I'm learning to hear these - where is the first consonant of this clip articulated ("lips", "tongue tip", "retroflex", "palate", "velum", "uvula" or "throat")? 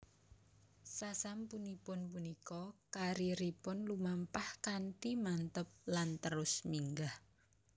tongue tip